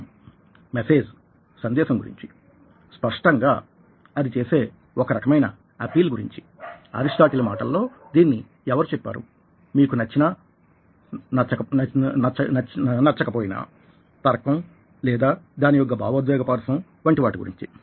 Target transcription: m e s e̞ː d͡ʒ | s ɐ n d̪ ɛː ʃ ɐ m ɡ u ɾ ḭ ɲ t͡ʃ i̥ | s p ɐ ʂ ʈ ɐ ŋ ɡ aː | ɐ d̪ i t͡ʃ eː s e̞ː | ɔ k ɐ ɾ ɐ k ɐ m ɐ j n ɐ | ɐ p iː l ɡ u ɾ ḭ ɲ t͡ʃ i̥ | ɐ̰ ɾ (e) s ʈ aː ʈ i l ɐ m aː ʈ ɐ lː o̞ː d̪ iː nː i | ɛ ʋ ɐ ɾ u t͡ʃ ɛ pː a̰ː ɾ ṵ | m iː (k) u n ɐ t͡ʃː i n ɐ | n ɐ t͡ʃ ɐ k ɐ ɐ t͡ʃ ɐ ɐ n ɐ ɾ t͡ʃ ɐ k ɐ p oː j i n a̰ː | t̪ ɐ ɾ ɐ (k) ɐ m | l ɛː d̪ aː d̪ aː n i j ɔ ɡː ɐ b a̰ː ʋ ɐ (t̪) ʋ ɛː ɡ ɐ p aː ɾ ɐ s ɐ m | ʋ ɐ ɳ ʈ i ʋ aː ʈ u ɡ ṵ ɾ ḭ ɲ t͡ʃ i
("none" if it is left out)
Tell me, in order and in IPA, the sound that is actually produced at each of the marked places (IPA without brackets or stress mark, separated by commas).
i, k, k, d̪